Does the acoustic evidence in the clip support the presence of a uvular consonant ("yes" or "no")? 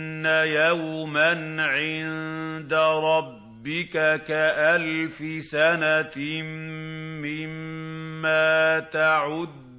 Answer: no